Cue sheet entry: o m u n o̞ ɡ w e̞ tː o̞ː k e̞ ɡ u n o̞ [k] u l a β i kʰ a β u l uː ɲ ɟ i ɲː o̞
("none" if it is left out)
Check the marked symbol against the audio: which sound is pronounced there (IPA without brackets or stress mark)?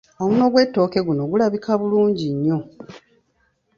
ɡ